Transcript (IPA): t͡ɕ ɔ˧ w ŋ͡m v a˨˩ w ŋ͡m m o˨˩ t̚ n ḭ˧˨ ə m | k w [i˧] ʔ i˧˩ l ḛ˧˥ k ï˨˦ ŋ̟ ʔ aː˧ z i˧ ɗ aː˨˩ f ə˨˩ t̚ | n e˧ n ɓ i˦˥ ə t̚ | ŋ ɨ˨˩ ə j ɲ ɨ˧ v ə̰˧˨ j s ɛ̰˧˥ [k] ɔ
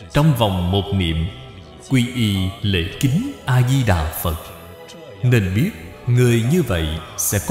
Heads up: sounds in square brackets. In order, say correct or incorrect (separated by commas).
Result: correct, correct